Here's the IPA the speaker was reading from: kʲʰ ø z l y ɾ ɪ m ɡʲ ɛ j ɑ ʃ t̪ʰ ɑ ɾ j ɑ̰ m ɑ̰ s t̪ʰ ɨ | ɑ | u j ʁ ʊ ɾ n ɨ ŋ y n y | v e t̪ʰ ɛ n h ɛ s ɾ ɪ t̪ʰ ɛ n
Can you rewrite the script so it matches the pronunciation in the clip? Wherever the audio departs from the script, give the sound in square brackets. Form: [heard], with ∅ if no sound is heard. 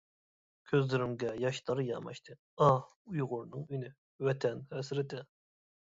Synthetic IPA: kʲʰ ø z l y ɾ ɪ m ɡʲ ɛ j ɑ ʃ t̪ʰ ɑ ɾ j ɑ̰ m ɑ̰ [ʃ] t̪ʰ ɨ | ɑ | u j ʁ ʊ ɾ n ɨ ŋ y n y | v [ɛ] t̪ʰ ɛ n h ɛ s ɾ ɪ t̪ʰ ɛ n